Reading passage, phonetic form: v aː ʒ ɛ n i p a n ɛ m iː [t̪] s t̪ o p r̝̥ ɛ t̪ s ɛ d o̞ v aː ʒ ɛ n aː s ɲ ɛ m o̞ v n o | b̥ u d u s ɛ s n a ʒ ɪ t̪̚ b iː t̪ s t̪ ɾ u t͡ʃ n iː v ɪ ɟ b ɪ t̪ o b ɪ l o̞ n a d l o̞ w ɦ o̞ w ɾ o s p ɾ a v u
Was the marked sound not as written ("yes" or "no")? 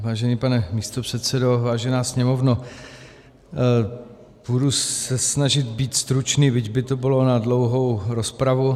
yes